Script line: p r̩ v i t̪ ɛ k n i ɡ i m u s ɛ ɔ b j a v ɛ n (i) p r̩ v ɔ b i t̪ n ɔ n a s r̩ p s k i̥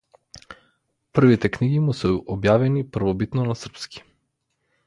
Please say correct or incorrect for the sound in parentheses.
correct